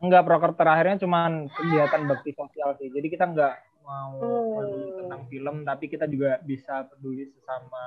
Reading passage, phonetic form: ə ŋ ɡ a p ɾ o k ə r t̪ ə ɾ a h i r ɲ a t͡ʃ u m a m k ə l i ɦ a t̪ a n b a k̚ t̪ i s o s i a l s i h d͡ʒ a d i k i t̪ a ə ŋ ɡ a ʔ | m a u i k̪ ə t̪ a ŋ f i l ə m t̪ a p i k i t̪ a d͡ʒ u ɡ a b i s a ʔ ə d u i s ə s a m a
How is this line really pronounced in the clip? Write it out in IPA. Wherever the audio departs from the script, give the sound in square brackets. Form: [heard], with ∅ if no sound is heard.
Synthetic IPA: ə ŋ ɡ a p ɾ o k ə r t̪ ə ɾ a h i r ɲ a t͡ʃ u m a [n] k ə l i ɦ a t̪ a n b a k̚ t̪ i s o s i a l s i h d͡ʒ a d i k i t̪ a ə ŋ ɡ a ʔ | m a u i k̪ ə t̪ a ŋ f i l ə m t̪ a p i k i t̪ a d͡ʒ u ɡ a b i s a [p] ə d u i s ə s a m a